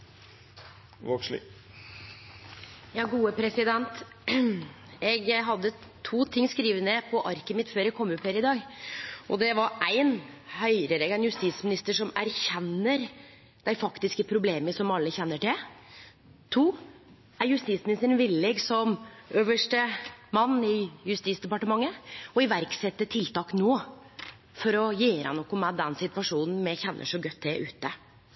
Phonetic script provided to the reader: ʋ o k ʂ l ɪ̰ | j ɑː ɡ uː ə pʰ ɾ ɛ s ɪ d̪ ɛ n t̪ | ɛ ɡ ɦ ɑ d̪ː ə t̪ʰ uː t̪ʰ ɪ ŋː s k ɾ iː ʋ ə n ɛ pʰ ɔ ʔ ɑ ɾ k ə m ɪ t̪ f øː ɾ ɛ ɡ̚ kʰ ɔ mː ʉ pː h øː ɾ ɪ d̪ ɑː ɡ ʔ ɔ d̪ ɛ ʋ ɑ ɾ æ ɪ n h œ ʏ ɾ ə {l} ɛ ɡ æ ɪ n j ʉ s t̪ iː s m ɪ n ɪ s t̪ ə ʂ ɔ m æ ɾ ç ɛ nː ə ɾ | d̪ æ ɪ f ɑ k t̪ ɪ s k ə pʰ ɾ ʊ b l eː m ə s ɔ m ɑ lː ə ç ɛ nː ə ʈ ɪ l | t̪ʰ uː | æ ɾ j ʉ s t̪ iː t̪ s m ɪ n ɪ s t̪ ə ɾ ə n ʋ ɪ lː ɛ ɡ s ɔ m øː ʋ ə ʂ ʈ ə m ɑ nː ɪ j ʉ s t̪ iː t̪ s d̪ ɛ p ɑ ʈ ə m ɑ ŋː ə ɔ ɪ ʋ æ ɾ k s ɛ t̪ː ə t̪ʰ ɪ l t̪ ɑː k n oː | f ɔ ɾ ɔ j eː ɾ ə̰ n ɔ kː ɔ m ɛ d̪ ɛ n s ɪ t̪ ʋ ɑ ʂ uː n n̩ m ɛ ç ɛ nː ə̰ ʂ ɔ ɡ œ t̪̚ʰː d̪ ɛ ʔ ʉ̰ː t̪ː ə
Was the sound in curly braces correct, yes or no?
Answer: no